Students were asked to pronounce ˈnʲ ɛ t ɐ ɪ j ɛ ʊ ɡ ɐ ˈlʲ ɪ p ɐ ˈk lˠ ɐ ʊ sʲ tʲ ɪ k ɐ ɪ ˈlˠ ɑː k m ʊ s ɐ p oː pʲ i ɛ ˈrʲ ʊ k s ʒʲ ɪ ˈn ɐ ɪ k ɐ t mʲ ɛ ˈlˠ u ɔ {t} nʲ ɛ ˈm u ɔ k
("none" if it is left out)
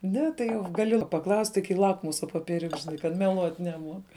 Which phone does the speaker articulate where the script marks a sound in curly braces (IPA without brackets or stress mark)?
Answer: t